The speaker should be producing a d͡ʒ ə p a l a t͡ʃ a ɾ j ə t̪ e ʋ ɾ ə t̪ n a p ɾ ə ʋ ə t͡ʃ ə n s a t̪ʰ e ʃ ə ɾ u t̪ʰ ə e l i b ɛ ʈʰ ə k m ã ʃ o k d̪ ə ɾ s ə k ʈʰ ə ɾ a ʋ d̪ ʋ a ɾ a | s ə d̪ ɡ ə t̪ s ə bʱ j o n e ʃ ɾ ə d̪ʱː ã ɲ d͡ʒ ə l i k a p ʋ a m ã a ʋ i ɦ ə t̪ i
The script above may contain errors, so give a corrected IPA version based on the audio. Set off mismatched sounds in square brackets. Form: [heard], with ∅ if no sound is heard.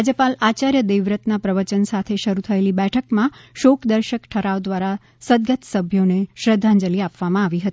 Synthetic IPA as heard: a d͡ʒ ə p a l a t͡ʃ a ɾ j ə [d̪] e ʋ ɾ ə t̪ n a p ɾ ə ʋ ə t͡ʃ ə n s a t̪ʰ e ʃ ə ɾ u t̪ʰ ə e l i b ɛ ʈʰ ə k m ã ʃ o k d̪ ə ɾ [ʃ] ə k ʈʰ ə ɾ a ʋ d̪ ʋ a ɾ a | s ə d̪ ɡ ə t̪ s ə bʱ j o n e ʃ ɾ ə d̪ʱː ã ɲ d͡ʒ ə l i [∅] a p ʋ a m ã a ʋ i ɦ ə t̪ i

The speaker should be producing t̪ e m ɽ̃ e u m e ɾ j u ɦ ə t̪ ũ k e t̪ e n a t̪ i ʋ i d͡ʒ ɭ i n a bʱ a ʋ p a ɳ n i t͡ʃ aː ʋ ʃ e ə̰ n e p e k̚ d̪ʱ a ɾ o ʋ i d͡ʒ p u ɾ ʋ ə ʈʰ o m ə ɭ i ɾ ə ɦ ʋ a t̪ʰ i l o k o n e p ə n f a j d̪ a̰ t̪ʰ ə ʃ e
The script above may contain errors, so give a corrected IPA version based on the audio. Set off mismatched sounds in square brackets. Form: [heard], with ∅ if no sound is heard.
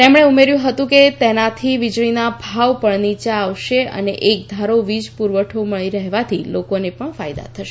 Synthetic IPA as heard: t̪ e m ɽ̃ e u m e ɾ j [ũ] ɦ ə t̪ ũ k e t̪ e n a [t̪ʰ] i ʋ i d͡ʒ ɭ i n a bʱ a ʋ p [ə] ɳ n i t͡ʃ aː ʋ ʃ e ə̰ n e [ʔ] e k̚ d̪ʱ a ɾ o ʋ i d͡ʒ p u ɾ ʋ ə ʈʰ o m ə ɭ i ɾ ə ɦ ʋ a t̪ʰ i l o k o n e p ə [ɳ] f a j d̪ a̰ t̪ʰ ə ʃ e

